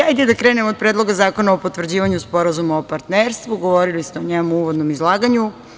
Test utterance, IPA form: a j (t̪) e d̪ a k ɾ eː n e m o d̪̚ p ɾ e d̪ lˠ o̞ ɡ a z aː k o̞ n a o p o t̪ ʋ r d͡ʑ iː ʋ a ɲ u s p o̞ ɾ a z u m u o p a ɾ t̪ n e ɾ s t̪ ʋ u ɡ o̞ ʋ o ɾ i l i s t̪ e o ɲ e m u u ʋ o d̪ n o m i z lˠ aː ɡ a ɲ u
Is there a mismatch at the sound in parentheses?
yes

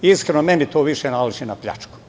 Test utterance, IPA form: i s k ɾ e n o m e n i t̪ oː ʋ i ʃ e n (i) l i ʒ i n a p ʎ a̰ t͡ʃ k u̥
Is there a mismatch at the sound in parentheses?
yes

